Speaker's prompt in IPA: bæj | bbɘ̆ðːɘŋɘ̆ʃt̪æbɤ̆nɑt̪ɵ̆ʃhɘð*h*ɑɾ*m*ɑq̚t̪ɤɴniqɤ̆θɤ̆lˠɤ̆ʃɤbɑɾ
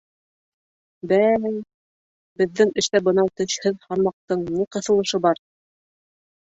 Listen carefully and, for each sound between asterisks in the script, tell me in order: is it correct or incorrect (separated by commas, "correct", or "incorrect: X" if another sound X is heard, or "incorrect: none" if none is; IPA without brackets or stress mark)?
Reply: correct, correct